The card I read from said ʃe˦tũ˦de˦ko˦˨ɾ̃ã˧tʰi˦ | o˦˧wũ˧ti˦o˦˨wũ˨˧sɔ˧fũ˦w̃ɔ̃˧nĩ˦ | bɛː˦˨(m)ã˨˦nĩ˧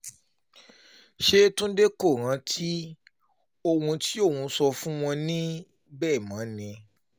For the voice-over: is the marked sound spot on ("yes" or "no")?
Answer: yes